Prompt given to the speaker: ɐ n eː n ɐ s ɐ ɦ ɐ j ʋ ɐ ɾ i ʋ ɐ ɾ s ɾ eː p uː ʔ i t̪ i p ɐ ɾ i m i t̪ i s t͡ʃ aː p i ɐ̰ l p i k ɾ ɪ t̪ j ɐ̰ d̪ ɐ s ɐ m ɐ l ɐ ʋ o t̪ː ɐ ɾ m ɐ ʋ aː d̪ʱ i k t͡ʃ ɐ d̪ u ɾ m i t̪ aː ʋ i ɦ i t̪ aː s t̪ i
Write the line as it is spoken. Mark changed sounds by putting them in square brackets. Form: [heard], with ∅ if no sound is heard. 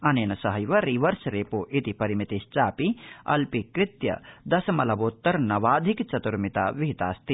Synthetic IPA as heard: ɐ n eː n ɐ s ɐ ɦ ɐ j ʋ ɐ ɾ i ʋ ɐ ɾ s ɾ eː p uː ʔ i t̪ i p ɐ ɾ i m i t̪ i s t͡ʃ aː p i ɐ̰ l p i k ɾ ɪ t̪ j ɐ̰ d̪ ɐ s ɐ m ɐ l ɐ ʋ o t̪ː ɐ ɾ [n] ɐ ʋ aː d̪ʱ i k t͡ʃ ɐ [t̪] u ɾ m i t̪ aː ʋ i ɦ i t̪ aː s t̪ i